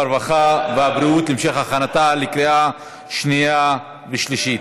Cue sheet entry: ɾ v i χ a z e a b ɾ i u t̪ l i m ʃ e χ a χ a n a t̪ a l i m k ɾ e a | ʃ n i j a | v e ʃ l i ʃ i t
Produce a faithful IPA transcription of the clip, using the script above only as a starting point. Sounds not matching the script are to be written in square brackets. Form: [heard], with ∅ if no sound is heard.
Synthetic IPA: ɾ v [a] χ a [v] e a b ɾ i u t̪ l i m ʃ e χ a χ a n a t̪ a l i [∅] k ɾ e a | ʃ n i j a | v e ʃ l i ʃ i t